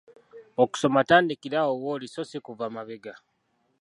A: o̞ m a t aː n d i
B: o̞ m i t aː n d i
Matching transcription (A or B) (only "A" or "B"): A